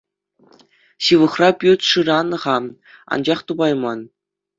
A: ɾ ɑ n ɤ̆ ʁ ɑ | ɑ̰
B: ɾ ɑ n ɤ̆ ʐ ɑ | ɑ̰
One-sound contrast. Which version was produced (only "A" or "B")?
A